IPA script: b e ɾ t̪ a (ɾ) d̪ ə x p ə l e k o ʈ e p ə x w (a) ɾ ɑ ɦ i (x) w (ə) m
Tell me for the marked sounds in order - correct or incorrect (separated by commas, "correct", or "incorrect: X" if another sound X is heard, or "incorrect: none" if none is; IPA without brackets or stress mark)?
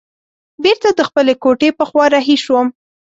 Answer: incorrect: none, incorrect: ɑ, incorrect: ʃ, correct